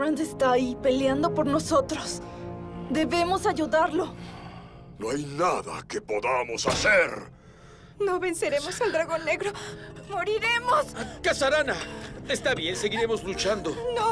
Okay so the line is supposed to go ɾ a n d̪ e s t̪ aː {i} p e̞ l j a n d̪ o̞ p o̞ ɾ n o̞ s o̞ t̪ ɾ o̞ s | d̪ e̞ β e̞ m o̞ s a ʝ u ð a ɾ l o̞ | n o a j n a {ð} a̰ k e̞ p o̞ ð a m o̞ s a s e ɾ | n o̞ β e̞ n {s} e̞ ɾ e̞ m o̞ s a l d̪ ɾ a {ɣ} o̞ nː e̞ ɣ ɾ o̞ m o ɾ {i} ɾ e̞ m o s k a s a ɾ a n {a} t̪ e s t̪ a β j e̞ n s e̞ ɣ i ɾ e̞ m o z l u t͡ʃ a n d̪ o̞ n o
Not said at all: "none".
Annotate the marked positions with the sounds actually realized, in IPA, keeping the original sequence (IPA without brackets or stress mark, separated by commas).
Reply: i, ð, s, ɣ, i, a